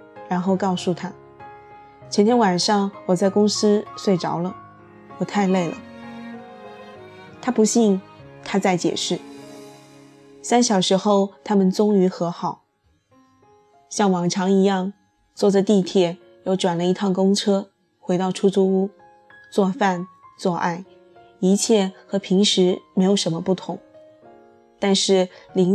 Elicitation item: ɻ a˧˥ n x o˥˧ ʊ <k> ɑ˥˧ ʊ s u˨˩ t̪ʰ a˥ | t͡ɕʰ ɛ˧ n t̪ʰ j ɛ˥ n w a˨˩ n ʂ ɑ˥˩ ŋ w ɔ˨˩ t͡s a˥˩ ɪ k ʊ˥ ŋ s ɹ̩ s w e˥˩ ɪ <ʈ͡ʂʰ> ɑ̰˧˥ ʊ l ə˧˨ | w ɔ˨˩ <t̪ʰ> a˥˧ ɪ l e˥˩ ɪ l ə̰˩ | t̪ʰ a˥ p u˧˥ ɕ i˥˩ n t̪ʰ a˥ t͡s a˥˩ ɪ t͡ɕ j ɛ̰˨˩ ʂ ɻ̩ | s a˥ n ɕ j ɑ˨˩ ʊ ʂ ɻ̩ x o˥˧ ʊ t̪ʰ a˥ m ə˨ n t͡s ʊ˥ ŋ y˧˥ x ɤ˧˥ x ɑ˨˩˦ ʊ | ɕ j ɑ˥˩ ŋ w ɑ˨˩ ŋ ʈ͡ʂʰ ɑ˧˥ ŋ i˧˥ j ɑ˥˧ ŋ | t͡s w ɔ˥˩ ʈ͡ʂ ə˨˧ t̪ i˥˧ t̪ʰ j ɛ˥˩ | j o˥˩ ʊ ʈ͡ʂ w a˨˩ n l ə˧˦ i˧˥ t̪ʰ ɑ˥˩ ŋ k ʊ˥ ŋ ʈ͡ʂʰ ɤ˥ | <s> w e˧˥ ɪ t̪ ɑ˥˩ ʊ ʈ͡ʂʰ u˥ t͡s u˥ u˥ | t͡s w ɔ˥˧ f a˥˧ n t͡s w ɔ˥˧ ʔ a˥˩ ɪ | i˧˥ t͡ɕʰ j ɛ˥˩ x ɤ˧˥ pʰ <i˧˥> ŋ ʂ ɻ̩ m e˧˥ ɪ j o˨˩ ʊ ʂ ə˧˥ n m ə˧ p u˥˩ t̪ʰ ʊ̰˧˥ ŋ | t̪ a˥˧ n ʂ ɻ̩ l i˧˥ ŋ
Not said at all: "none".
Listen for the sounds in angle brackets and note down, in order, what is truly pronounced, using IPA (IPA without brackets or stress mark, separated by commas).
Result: k, ʈ͡ʂ, t̪ʰ, x, i˧˥